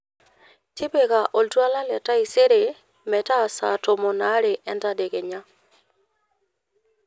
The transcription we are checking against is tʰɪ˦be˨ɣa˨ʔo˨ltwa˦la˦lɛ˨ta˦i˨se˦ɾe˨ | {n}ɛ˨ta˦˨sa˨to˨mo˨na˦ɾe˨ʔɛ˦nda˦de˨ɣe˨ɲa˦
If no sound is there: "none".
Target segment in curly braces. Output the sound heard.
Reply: m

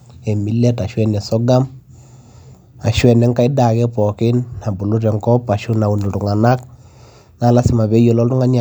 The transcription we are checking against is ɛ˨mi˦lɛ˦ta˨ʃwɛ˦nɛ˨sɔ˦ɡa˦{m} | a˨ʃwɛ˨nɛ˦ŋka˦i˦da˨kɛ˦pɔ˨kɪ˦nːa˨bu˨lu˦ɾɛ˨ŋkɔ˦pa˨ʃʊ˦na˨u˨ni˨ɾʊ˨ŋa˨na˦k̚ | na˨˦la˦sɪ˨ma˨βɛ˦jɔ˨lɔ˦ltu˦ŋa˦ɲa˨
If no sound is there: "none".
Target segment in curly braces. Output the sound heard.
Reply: m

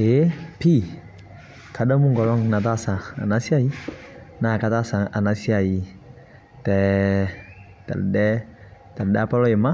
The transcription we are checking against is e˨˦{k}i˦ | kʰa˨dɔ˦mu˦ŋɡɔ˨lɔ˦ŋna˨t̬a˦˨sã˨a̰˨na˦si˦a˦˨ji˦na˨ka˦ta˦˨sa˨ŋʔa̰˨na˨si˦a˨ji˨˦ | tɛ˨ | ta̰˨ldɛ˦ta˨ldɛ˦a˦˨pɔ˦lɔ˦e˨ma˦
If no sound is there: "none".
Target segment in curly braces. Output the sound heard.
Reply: p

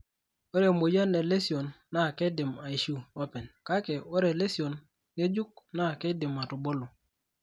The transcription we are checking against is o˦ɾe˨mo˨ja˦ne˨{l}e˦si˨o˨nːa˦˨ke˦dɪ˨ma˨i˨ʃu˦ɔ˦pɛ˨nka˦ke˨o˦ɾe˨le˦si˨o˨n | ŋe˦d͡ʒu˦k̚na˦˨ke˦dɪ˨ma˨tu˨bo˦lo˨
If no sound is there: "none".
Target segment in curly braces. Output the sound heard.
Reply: l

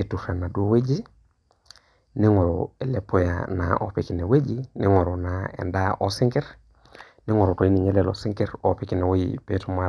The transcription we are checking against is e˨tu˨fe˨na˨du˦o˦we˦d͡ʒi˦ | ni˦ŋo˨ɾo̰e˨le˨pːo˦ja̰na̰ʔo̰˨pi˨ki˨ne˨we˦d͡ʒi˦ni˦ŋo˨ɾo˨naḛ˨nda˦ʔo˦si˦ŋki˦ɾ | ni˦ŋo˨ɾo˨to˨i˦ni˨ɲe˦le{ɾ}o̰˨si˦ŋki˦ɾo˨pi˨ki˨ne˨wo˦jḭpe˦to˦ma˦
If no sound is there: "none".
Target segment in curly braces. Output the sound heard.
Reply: l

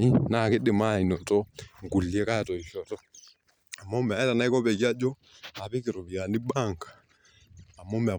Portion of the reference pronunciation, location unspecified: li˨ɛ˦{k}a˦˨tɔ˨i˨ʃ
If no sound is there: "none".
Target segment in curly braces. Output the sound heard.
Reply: k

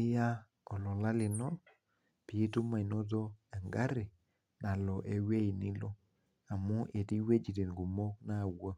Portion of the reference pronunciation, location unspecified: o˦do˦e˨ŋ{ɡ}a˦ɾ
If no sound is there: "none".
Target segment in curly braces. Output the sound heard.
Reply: ɡ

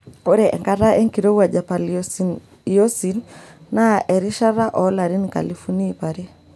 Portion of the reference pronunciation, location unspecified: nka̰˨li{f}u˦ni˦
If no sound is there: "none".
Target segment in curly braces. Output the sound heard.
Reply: f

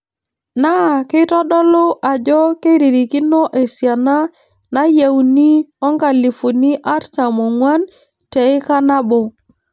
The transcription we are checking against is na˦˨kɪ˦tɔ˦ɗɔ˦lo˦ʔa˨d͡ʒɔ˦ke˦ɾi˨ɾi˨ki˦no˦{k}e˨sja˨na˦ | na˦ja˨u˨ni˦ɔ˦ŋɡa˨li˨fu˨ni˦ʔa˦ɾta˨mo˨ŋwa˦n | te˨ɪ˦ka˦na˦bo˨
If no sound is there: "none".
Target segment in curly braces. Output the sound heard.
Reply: ʔ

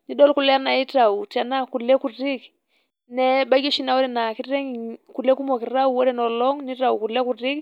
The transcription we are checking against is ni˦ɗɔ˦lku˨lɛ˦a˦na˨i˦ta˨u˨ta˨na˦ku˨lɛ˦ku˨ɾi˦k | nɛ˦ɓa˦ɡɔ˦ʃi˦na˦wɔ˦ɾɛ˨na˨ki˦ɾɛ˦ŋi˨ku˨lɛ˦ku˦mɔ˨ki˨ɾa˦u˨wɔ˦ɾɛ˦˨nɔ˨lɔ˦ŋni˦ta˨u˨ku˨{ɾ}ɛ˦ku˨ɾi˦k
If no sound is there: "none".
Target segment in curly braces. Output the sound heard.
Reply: l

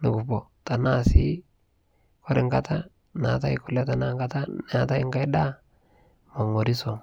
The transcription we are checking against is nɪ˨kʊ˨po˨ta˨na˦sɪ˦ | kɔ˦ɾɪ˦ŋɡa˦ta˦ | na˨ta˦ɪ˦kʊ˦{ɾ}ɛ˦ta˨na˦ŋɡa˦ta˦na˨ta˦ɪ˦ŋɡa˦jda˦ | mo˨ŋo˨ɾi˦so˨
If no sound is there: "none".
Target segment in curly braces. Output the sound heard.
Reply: l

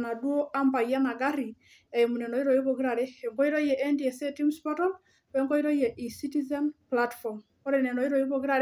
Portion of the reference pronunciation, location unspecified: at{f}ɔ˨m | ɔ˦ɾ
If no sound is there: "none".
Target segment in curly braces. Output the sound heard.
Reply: f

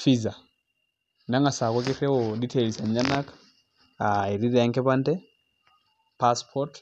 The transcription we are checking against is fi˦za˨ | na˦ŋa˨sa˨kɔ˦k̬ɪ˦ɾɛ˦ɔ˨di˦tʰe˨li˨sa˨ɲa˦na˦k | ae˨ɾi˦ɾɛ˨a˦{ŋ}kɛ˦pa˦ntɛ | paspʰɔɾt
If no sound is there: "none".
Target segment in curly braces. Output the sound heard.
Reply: ŋ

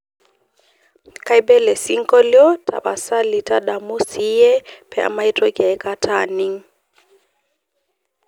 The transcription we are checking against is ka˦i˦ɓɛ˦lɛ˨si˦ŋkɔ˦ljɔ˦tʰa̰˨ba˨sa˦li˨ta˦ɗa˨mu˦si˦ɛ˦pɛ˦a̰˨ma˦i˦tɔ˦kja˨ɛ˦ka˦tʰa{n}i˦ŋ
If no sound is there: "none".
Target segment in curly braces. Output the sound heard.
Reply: n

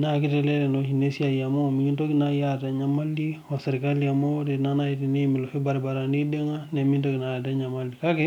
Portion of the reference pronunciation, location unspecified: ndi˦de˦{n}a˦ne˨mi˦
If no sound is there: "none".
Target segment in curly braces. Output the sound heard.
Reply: ŋ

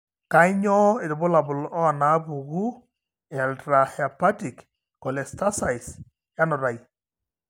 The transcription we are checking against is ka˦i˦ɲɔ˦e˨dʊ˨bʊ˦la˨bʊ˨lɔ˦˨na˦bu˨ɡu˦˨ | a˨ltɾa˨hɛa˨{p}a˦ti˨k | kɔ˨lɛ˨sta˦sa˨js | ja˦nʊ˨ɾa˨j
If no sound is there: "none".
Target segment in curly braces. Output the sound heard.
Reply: p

